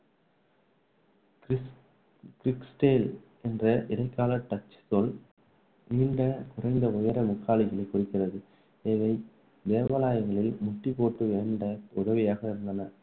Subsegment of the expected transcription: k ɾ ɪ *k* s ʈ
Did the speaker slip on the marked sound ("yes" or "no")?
no